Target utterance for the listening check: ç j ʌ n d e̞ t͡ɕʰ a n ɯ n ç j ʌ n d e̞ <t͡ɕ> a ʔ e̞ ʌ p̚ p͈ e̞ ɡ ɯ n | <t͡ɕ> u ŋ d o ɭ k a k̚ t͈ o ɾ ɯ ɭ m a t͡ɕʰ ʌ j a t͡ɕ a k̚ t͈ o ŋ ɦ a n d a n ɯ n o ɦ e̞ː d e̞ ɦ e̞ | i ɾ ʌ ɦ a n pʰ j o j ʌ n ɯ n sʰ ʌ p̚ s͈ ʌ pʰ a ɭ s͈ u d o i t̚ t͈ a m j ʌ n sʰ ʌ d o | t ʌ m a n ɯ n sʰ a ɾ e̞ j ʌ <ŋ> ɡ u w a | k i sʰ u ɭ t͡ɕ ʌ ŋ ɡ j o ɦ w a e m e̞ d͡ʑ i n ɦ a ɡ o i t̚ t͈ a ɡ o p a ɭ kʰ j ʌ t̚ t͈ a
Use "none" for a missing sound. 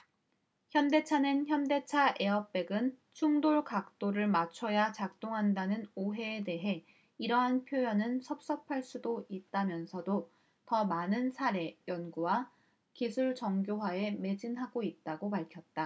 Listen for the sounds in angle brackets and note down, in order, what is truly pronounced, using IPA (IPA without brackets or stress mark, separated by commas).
t͡ɕʰ, t͡ɕʰ, n